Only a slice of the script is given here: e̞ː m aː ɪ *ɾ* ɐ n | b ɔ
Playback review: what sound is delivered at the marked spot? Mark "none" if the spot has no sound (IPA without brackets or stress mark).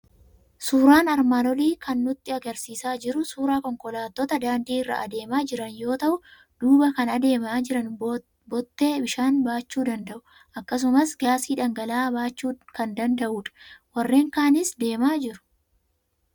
ɾ